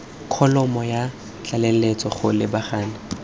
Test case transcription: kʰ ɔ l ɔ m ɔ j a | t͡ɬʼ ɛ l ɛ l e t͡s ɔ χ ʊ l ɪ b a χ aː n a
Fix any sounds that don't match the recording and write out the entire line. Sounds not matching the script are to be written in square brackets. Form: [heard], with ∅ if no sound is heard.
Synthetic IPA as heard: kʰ ɔ l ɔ m ɔ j a | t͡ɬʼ [a] l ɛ l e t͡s ɔ χ ʊ l ɪ b a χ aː n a